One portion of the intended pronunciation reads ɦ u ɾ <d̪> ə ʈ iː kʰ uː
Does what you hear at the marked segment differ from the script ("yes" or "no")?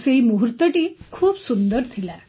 yes